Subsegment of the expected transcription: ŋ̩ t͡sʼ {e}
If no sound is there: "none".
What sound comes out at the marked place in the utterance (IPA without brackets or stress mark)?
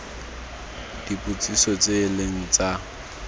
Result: a